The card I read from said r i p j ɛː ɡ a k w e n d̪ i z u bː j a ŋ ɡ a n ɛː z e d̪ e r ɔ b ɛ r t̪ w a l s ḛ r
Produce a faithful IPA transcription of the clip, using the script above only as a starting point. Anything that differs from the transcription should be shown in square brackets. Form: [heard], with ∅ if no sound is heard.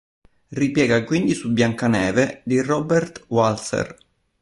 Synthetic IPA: r i p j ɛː ɡ a k w [i] n d̪ i [s] u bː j a ŋ [k] a n ɛː [v] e d̪ [i] r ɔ b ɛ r t̪ w a l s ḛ r